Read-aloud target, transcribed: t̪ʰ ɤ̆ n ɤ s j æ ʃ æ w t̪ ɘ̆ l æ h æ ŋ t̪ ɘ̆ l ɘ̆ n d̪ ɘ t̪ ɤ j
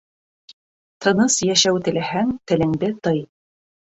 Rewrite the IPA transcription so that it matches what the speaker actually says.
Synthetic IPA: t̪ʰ ɤ̆ n ɤ s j æ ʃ æ w t̪ ɘ̆ l æ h æ ŋ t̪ ɘ̆ l ɘ̆ ŋ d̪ ɘ t̪ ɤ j

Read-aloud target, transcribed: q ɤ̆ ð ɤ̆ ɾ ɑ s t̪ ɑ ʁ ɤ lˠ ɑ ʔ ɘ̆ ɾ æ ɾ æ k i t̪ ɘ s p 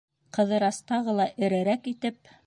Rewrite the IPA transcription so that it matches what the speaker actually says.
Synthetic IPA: q ɤ̆ ð ɤ̆ ɾ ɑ s t̪ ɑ ʁ ɤ lˠ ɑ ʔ ɘ̆ ɾ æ ɾ æ k i t̪ ɘ p

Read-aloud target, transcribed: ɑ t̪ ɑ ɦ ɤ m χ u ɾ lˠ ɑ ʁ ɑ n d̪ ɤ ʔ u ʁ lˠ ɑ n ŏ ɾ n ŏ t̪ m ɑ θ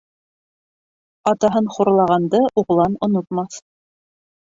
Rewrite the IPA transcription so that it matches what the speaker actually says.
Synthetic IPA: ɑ t̪ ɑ ɦ ɤ n χ u ɾ lˠ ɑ ʁ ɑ n d̪ ɤ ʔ u ʁ lˠ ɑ n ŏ n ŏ t̪ m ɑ θ

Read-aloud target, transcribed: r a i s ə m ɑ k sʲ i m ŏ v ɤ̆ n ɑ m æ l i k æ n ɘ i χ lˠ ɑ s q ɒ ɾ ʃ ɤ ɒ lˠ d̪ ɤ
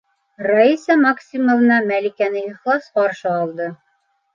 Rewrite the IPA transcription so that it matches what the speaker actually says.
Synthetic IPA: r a i s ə m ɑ k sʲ i m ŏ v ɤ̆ n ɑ m æ l i k æ n ɘ i χ lˠ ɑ s q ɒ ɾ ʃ ɤ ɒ lˠ d̪ ɤ

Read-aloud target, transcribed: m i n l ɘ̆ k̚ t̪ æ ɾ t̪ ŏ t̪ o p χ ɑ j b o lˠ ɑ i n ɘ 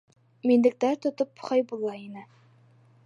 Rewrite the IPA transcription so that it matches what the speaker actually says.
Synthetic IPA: m i n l ɘ̆ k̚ t̪ æ ɾ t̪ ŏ t̪ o p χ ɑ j b u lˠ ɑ i n ɘ

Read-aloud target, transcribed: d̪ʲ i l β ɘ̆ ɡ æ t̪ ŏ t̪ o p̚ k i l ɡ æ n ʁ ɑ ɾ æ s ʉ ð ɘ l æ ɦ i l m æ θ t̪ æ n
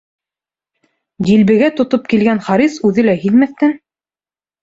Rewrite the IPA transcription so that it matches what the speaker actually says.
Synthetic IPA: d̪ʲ i l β ɘ̆ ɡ æ t̪ ŏ t̪ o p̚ k i l ɡ æ n χ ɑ ɾ i s ʉ ð ɘ l æ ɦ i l m æ θ t̪ æ n

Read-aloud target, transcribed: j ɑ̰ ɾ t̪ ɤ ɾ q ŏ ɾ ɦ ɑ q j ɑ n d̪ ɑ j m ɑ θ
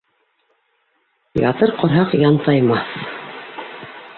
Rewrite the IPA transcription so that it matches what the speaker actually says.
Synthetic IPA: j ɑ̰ t̪ ɤ ɾ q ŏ ɾ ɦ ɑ q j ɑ n t̪ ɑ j m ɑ θ

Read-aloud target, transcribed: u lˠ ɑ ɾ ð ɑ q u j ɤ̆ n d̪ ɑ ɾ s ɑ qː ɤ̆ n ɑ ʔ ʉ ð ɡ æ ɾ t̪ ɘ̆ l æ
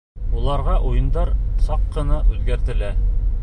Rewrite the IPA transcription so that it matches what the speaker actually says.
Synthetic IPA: u lˠ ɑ ɾ ʁ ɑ ʔ u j ɤ̆ n d̪ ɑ ɾ s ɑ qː ɤ̆ n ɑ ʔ ʉ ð ɡ æ ɾ t̪ ɘ̆ l æ

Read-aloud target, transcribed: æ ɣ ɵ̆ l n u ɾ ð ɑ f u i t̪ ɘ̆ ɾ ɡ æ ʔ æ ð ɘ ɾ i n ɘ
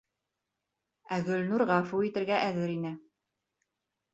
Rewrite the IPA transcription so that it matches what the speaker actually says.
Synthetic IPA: æ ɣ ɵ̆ l n u ɾ ʁ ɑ f u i t̪ ɘ̆ ɾ ɡ æ ʔ æ ð ɘ ɾ i n ɘ

